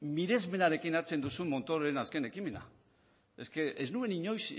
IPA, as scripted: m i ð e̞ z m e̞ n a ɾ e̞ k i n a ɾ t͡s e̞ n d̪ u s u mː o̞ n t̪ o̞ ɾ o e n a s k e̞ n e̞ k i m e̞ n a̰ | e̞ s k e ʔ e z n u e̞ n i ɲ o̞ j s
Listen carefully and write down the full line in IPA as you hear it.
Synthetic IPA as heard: m i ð e̞ z m e̞ n a ɾ e̞ k i n a ɾ t͡s e̞ n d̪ u s u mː o̞ n t̪ o̞ ɾ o e n a s k e̞ n e̞ k i m e̞ n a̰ | e̞ s k e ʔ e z n u e̞ n i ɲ o̞ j s

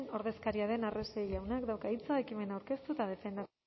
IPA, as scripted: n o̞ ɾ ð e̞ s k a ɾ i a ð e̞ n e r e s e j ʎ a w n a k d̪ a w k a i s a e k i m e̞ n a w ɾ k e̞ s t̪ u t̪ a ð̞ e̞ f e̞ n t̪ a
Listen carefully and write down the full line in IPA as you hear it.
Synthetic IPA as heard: n o̞ ɾ ð e̞ s k a ɾ i a ð e̞ n a r e s e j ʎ a w n a k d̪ a w k a i t͡s a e k i m e̞ n a w ɾ k e̞ s t̪ u t̪ a ð̞ e̞ f e̞ n d̪ a

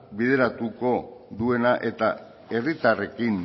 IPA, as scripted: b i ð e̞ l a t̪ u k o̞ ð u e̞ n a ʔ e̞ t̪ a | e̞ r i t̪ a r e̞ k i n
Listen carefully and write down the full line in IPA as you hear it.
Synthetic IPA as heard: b i ð e̞ ɾ a t̪ u k o̞ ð u e̞ n a ʔ e̞ t̪ a | e̞ r i t̪ a r e̞ k i n

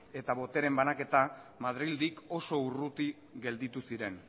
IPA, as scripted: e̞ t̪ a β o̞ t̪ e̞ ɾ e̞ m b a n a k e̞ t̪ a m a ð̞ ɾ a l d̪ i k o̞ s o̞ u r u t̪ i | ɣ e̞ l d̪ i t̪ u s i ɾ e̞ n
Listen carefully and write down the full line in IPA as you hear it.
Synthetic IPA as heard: e̞ t̪ a β o̞ t̪ e̞ ɾ e̞ m b a n a k e̞ t̪ a m a ð̞ ɾ i l d̪ i k o̞ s o̞ u r u t̪ i | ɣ e̞ l d̪ i t̪ u s i ɾ e̞ n

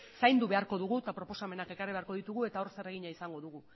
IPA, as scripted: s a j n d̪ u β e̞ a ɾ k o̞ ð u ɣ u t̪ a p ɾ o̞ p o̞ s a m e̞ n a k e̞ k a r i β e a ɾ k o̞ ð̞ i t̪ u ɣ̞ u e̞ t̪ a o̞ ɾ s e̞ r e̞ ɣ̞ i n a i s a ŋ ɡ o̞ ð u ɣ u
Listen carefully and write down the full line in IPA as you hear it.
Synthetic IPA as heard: s a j n d̪ u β e̞ a ɾ k o̞ ð u ɣ u t̪ a p ɾ o̞ p o̞ s a m e̞ n a k e̞ k a r i β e a ɾ k o̞ ð̞ i t̪ u ɣ̞ u e̞ t̪ a o̞ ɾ s e̞ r e̞ ɣ̞ i ɲ a i s a ŋ ɡ o̞ ð u ɣ u

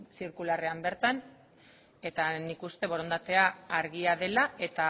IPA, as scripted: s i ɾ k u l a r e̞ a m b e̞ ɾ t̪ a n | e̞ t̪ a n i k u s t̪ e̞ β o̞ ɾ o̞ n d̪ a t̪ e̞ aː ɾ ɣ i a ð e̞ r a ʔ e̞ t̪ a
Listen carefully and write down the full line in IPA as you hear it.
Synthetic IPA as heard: s i ɾ k u l a r e̞ a m b e̞ ɾ t̪ a n | e̞ t̪ a n i k u s t̪ e̞ β o̞ ɾ o̞ n d̪ a t̪ e̞ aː ɾ ɣ i a ð e̞ l a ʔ e̞ t̪ a

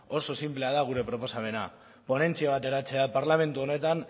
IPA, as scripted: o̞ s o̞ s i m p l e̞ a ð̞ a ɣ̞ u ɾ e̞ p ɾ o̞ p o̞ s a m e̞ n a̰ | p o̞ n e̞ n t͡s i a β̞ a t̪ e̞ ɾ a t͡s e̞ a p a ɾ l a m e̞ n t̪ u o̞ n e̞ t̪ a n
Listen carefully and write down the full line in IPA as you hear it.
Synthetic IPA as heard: o̞ s o̞ s i m p l e̞ a ð̞ a ɣ̞ u ɾ e̞ p ɾ o̞ p o̞ s a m e̞ n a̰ | p o̞ n e̞ n t͡s i a β̞ a t̪ e̞ ɾ a t͡s e̞ a p a ɾ l a m e̞ n t̪ u o̞ n e̞ t̪ a n

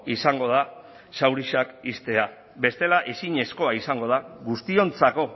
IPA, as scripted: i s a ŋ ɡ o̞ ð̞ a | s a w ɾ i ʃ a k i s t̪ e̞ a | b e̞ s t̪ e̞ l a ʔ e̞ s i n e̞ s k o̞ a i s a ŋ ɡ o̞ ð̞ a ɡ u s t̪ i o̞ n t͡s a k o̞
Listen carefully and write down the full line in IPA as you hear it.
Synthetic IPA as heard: i s a ŋ ɡ o̞ ð̞ a | s a w ɾ i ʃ a k i s t̪ e̞ a | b e̞ s t̪ e̞ l a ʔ e̞ s i ɲ e̞ s k o̞ a i s a ŋ ɡ o̞ ð̞ a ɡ u s t̪ i o̞ n t͡s a k o̞

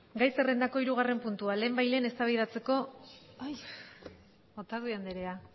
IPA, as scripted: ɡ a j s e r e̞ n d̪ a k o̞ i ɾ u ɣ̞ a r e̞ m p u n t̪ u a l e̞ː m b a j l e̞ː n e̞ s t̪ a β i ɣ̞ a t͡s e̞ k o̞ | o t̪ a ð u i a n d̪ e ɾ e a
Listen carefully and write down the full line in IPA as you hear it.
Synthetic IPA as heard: ɡ a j s e r e̞ n d̪ a k o̞ i ɾ u ɣ̞ a r e̞ m p u n t̪ u a l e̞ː m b a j l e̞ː n e̞ s t̪ a β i ð̞ a t͡s e̞ k o̞ | o t̪ a ð u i a n d̪ e ɾ e a

